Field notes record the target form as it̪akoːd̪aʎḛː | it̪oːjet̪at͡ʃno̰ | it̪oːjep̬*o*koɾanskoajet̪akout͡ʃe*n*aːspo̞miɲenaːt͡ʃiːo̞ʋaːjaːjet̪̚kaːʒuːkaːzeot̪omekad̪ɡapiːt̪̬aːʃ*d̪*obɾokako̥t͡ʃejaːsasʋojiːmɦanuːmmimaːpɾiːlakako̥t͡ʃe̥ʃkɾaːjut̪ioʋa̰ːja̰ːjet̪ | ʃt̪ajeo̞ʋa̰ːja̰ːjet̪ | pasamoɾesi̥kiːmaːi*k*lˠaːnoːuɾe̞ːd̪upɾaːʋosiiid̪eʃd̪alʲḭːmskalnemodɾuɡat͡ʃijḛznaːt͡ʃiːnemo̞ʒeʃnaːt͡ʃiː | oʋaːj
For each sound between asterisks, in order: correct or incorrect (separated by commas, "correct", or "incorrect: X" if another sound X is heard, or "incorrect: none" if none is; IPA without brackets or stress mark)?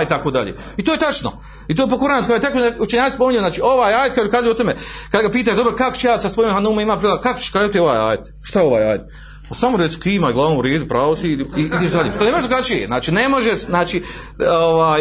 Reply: correct, incorrect: ɲ, correct, incorrect: ɡ